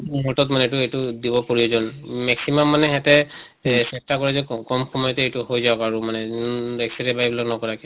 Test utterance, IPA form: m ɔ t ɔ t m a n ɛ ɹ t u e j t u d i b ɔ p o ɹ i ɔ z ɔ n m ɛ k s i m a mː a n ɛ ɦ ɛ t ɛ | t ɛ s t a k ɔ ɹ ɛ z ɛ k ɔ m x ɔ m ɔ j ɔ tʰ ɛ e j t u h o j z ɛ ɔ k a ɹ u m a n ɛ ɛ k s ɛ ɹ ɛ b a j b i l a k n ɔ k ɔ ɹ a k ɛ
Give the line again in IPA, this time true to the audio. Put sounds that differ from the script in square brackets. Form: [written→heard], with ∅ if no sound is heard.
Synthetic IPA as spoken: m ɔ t ɔ t m a n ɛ [ɹ→∅] t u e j t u d i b ɔ p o ɹ i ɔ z ɔ n m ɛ k s i m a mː a n ɛ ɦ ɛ t ɛ | [t→s] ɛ s t a k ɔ ɹ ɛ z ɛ k ɔ m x ɔ m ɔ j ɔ [tʰ→t] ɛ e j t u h o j z [ɛ→a] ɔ k a ɹ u m a n ɛ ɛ k s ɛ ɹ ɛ b a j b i l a k n ɔ k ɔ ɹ a k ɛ